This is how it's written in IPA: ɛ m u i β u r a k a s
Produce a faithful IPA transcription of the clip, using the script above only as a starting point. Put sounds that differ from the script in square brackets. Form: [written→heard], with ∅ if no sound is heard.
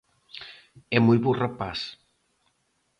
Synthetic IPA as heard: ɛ m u [i→j] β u r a [k→p] a s